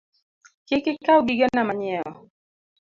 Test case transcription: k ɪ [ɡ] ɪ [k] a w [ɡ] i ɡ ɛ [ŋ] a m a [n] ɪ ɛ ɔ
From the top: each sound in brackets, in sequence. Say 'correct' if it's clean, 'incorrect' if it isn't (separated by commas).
incorrect, correct, correct, incorrect, incorrect